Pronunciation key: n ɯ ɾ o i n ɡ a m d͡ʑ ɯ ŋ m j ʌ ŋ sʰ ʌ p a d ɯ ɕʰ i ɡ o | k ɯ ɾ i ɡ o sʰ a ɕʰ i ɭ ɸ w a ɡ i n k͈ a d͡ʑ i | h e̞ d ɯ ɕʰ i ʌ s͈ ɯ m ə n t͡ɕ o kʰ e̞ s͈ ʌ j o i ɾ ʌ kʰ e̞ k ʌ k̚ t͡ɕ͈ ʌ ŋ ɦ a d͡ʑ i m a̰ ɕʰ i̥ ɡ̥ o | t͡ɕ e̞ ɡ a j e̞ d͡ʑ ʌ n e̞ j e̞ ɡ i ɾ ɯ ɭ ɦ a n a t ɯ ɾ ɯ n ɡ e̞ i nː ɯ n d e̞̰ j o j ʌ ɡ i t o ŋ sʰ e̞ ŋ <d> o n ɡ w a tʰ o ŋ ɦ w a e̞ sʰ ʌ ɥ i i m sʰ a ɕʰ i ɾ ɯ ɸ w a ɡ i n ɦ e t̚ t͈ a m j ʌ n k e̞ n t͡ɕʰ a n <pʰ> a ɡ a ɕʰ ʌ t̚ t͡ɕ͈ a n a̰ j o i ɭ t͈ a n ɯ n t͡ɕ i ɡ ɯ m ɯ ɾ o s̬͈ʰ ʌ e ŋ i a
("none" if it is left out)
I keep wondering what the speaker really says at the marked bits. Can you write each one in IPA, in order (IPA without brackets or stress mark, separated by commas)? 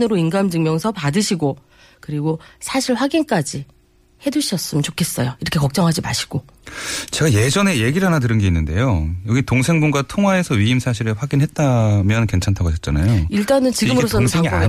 b, tʰ